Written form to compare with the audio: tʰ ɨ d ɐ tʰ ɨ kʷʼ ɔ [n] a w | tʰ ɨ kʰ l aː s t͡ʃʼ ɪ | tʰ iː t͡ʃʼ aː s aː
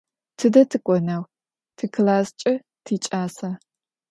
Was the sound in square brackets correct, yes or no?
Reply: yes